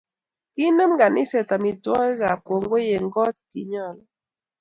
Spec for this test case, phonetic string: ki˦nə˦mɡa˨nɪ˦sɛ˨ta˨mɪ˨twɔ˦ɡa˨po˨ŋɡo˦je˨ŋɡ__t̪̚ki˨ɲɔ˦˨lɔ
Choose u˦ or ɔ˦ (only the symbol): ɔ˦